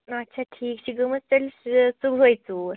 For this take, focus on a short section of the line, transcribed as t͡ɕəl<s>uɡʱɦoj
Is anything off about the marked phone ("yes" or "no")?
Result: no